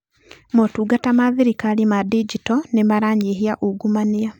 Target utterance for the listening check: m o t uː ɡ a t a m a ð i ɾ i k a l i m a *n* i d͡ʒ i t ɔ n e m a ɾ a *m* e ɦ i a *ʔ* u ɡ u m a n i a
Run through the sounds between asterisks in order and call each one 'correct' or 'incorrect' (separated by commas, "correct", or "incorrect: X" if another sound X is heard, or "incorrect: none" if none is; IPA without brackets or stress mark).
incorrect: d, incorrect: ɲ, correct